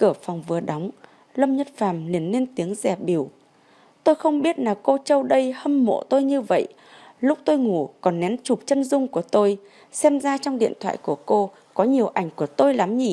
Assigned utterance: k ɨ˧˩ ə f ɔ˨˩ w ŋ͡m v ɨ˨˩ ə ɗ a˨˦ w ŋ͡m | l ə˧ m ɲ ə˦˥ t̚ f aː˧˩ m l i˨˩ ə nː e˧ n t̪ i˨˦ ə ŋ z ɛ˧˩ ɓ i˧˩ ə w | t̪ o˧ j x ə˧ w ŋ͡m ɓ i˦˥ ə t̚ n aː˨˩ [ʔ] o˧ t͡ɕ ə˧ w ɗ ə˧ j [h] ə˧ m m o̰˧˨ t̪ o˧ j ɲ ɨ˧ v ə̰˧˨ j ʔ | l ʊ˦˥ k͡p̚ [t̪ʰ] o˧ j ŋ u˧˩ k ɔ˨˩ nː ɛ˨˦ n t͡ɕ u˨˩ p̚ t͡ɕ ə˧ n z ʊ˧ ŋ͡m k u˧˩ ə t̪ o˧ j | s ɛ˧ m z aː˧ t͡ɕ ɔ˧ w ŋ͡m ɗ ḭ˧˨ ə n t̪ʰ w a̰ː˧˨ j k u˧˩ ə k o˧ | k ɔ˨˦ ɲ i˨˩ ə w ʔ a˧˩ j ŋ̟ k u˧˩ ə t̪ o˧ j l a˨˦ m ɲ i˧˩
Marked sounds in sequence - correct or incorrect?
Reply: incorrect: k, correct, incorrect: t̪

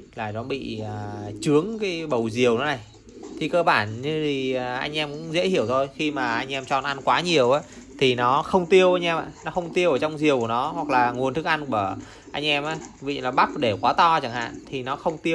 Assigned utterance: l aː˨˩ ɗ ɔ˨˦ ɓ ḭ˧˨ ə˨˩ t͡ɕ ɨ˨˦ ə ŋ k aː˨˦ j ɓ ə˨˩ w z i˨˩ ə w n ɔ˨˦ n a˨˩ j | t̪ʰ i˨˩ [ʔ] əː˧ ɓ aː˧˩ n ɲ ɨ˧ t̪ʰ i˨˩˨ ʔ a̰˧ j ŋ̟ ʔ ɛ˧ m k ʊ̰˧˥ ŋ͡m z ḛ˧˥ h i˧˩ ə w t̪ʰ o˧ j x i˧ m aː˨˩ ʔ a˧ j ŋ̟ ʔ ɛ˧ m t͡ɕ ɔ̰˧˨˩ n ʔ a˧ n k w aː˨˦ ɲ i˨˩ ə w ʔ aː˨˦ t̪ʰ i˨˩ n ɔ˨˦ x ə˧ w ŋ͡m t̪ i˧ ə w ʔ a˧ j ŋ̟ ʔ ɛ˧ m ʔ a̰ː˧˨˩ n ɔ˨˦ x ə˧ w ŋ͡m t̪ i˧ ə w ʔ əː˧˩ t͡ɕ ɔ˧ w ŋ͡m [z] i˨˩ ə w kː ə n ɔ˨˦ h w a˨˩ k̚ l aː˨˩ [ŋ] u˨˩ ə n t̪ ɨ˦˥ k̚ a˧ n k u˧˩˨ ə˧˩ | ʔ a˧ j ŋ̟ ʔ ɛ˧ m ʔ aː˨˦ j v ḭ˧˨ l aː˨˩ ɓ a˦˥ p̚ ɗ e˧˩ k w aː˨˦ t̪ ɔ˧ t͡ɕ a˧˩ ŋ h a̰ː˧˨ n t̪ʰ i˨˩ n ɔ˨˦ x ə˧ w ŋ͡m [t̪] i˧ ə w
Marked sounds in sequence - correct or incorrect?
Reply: incorrect: k, correct, correct, correct

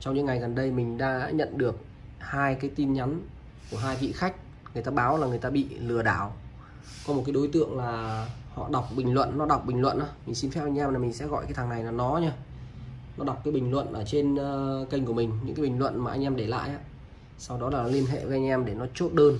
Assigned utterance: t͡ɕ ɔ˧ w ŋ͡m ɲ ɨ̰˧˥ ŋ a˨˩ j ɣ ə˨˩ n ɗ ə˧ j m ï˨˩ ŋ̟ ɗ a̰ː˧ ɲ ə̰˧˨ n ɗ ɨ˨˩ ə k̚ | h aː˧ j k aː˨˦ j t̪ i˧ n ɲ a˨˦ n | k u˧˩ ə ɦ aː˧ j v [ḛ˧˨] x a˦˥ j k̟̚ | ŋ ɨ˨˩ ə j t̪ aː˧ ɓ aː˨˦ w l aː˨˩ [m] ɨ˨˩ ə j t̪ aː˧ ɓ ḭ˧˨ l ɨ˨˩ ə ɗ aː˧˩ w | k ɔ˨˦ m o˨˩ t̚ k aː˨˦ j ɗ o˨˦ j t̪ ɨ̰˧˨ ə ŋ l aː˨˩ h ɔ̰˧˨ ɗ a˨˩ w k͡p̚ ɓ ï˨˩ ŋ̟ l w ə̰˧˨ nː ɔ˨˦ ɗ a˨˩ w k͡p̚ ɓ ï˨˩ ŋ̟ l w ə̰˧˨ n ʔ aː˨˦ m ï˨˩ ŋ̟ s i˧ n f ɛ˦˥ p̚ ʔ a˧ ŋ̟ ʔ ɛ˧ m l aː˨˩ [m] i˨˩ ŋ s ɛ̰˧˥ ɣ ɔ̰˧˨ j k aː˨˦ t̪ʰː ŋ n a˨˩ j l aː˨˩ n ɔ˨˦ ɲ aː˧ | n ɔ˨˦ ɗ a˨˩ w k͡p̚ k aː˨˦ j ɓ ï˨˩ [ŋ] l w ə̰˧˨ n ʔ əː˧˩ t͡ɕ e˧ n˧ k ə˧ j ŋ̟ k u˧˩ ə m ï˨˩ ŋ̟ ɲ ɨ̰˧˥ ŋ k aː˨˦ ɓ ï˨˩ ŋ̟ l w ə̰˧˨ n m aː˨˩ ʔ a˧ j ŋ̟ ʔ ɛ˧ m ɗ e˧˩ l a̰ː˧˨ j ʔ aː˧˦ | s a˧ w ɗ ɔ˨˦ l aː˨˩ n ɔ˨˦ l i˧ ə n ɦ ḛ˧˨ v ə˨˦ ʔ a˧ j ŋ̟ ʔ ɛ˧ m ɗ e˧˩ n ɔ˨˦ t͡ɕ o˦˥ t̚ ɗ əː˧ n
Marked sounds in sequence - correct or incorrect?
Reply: incorrect: ḭ˧˨, incorrect: ŋ, correct, correct

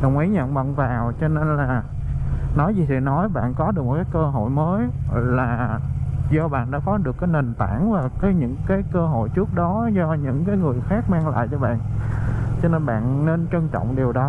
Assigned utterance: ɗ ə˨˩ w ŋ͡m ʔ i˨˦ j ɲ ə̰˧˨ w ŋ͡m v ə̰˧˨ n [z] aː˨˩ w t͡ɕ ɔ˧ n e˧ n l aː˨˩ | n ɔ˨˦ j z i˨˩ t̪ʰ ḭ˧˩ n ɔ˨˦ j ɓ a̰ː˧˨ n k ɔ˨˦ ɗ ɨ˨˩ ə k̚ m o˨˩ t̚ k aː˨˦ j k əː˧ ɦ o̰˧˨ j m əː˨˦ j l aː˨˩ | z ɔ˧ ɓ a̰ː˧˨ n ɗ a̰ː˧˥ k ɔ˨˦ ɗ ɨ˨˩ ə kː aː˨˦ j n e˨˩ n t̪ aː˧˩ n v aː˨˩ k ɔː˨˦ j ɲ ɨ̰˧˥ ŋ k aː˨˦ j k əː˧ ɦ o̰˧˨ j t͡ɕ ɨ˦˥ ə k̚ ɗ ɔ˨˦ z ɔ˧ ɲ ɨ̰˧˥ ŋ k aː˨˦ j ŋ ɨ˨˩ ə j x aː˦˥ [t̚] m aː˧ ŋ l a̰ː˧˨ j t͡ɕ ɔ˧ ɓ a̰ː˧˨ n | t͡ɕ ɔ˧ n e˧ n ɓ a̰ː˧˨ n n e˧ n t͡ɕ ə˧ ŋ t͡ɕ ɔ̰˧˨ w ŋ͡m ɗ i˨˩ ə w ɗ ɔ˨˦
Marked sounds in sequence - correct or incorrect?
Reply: incorrect: v, incorrect: k̚

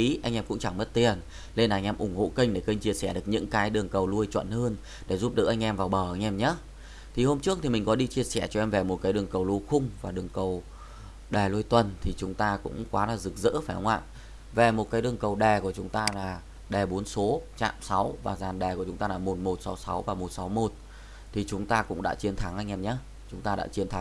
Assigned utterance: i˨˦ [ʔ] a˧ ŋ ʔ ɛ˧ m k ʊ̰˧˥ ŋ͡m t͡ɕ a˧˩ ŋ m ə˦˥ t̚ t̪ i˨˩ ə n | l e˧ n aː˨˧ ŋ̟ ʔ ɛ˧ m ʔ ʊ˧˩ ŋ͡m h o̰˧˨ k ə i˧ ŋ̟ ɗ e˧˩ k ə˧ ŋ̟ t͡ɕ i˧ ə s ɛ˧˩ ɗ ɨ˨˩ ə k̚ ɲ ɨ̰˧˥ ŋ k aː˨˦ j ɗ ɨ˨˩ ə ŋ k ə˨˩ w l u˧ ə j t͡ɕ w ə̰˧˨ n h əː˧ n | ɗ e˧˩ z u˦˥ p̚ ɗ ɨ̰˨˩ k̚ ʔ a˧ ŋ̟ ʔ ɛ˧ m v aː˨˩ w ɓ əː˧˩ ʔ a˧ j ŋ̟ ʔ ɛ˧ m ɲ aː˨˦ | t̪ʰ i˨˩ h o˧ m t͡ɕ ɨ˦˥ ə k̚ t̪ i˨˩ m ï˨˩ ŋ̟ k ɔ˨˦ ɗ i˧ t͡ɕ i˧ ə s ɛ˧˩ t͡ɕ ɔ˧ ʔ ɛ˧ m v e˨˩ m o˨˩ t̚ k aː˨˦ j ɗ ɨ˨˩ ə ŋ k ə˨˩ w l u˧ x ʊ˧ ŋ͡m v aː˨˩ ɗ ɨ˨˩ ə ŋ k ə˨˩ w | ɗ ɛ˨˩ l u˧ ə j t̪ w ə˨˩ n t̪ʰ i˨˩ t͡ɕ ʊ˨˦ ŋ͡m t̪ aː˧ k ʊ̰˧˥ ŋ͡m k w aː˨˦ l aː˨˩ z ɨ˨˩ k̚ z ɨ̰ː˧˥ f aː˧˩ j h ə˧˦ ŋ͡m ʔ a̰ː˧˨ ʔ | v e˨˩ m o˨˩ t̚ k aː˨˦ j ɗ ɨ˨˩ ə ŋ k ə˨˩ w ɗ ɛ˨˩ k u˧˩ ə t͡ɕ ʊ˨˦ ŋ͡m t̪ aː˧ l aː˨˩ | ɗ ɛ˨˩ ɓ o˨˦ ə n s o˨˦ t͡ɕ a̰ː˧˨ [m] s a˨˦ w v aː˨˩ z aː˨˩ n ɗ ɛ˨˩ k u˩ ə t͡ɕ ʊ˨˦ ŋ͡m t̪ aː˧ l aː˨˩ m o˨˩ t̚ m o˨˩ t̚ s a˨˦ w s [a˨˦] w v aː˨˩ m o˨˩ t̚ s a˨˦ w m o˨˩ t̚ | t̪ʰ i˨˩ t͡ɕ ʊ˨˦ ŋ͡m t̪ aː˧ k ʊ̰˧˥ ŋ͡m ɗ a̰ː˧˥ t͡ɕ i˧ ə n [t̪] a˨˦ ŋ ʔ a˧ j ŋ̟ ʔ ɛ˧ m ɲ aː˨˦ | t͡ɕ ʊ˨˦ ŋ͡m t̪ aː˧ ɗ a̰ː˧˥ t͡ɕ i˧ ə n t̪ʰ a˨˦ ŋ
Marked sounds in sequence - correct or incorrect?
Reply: correct, correct, correct, incorrect: t̪ʰ

